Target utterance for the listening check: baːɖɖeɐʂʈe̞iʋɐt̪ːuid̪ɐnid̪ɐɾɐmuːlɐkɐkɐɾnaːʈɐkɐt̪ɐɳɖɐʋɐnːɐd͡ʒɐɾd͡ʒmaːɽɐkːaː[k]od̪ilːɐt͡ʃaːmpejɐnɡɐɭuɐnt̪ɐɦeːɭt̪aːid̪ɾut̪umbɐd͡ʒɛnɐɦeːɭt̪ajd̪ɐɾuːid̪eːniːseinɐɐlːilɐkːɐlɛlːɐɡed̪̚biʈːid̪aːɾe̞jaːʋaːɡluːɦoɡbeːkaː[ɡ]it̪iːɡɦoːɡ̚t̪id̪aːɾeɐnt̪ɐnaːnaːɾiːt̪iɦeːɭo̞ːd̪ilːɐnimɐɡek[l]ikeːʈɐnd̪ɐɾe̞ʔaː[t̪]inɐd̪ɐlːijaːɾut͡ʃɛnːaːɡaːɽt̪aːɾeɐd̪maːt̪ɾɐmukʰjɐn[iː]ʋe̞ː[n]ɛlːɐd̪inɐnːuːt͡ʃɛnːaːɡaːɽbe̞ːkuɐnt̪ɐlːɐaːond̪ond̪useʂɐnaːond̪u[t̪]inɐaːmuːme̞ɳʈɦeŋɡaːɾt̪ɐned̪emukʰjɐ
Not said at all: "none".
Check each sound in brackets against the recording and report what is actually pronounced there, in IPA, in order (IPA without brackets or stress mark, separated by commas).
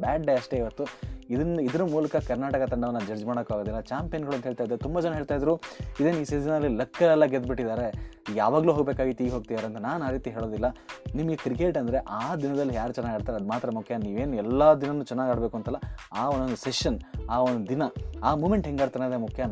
ɡ, ɡ, ɾ, d̪, iː, n, d̪